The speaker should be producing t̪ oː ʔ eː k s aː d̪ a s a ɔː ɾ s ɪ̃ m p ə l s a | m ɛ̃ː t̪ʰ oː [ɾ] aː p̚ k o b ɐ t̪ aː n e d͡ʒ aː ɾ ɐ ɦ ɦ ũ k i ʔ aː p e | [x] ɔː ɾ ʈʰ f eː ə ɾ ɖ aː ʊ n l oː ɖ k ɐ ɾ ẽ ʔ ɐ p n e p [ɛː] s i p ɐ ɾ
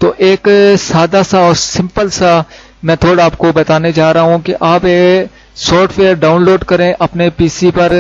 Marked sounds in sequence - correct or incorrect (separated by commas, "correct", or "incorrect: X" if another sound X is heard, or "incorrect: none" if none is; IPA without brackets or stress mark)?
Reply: incorrect: ɽ, incorrect: s, incorrect: iː